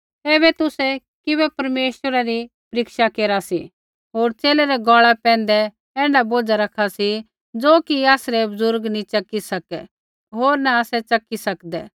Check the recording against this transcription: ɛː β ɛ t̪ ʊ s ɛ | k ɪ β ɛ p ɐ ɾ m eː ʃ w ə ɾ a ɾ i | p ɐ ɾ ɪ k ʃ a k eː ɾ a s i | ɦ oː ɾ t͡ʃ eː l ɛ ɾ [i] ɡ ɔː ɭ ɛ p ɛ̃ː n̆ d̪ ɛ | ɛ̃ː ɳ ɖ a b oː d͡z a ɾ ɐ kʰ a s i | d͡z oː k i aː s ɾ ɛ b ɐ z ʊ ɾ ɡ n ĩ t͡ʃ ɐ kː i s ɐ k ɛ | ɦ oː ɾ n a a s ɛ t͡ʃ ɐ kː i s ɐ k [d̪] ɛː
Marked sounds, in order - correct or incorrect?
incorrect, correct

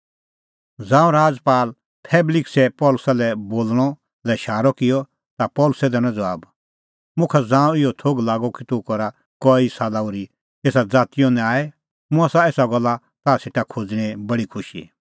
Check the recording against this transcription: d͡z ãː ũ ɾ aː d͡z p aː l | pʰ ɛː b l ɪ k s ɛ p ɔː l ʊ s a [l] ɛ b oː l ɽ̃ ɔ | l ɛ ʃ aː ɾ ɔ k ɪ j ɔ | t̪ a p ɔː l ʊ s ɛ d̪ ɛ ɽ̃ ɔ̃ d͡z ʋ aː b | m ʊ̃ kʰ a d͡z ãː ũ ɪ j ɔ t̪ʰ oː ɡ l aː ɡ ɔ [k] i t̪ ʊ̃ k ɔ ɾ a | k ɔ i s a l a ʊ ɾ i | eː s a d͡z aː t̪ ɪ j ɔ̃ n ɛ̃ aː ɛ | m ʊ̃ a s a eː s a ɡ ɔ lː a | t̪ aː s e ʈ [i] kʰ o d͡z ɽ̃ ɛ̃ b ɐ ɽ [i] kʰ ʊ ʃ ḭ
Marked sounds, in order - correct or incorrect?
correct, correct, incorrect, correct

